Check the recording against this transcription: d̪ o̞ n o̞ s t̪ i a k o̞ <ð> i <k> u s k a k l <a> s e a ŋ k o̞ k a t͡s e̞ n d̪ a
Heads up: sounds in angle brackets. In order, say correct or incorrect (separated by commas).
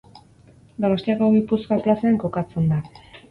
incorrect, incorrect, correct